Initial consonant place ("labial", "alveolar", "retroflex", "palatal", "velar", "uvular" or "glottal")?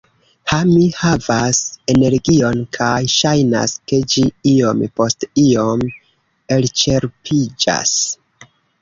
glottal